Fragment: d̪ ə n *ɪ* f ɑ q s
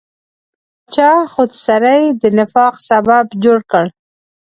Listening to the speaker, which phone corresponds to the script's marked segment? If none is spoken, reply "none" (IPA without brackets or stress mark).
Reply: ɪ